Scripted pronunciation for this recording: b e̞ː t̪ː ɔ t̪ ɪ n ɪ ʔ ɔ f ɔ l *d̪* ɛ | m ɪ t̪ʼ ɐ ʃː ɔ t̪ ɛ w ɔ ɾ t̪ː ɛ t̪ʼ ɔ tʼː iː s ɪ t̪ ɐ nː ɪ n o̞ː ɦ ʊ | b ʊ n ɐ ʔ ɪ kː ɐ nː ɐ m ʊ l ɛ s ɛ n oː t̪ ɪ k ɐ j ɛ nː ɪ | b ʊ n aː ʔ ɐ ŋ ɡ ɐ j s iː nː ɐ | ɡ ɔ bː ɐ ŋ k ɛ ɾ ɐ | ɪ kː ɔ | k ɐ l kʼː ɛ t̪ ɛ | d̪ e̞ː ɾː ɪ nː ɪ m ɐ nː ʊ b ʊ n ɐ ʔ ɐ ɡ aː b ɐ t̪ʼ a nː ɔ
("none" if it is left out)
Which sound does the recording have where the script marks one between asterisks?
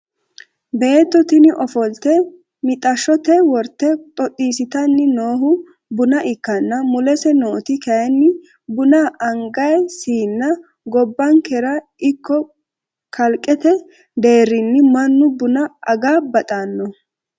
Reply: t̪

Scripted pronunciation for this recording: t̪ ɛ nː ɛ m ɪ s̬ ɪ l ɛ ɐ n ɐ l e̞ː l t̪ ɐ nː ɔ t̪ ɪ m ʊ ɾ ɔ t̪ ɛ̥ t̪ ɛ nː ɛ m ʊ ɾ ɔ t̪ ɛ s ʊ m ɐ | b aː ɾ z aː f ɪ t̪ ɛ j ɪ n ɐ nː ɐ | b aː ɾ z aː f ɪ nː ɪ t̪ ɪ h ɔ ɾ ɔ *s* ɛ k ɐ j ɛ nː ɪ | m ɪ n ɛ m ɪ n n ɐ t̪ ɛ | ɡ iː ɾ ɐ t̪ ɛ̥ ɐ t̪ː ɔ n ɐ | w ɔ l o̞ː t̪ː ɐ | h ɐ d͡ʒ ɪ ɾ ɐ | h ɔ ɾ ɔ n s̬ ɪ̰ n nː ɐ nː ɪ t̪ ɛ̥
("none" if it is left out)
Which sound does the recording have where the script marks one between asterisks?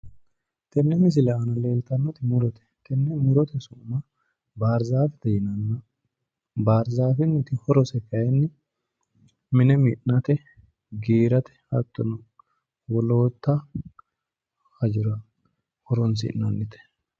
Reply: s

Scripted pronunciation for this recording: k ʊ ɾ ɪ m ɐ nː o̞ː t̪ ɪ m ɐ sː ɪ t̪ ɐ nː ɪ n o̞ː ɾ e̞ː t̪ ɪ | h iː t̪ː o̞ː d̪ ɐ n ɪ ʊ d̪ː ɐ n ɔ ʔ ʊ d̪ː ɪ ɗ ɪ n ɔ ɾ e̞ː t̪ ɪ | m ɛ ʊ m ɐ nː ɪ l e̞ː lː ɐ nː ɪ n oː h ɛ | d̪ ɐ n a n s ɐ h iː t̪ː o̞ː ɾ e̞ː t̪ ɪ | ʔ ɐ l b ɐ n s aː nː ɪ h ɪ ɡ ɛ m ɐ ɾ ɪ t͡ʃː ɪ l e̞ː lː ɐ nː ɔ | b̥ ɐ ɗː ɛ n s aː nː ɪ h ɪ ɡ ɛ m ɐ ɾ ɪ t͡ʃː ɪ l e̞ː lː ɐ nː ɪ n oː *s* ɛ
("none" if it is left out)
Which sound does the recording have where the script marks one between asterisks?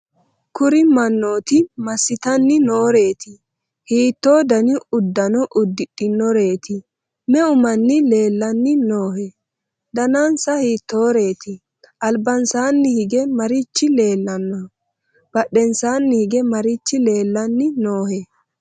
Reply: h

